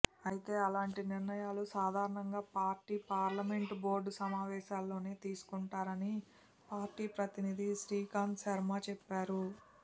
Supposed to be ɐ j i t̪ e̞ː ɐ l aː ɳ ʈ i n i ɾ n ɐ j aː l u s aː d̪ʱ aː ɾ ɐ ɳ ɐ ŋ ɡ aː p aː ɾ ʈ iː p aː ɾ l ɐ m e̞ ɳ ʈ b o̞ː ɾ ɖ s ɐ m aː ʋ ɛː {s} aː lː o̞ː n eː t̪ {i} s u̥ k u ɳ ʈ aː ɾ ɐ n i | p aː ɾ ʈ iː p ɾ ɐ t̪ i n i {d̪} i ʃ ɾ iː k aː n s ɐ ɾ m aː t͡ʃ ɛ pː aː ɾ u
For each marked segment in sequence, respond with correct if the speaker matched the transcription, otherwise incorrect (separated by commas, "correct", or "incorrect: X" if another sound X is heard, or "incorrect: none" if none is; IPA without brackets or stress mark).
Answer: incorrect: ʃ, incorrect: iː, correct